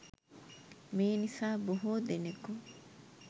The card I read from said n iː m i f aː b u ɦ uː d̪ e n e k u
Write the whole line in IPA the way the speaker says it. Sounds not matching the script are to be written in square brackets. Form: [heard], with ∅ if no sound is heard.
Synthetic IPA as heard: [m] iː [n] i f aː b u ɦ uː d̪ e n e k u